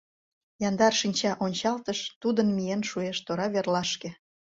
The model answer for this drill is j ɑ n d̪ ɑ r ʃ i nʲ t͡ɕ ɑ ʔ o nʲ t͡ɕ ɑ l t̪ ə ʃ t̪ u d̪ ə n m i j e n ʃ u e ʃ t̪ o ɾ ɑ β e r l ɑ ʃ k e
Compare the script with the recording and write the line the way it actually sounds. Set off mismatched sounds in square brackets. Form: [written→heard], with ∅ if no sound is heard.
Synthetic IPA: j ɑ n d̪ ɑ r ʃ i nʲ t͡ɕ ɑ ʔ o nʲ t͡ɕ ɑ l t̪ ə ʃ t̪ u d̪ ə n m i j e n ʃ u e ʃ t̪ o ɾ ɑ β e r l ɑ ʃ k e